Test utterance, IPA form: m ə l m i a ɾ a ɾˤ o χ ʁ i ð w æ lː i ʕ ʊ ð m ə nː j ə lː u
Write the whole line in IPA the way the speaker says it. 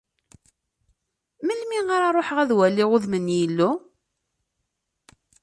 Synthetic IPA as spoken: m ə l m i a ɾ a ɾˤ o ħ ʁ æ ð w æ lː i ʁ ʊ ð m ə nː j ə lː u